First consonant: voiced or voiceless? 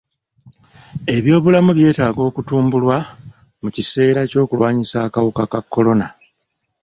voiced